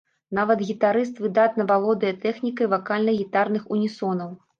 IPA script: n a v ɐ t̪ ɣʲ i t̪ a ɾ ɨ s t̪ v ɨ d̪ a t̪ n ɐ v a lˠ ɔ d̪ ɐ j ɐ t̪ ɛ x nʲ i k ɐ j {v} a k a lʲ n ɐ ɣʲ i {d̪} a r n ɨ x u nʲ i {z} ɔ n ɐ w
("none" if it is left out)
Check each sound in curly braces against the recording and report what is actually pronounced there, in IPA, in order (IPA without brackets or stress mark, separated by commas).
v, t̪, s